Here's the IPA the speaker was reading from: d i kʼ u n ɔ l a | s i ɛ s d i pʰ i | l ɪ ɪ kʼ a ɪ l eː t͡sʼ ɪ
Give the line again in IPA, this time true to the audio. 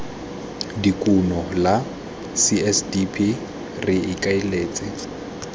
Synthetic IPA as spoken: d i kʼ u n ɔ l a | s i ɛ s d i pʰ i | r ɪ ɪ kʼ a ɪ l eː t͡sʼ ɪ